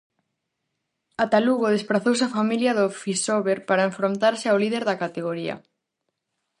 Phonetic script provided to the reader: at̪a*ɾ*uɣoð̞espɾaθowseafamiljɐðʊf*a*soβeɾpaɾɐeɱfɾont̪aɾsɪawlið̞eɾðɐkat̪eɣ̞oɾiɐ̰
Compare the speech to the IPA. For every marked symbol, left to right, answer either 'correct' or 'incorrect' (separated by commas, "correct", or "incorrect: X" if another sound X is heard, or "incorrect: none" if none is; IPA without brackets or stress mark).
incorrect: l, incorrect: i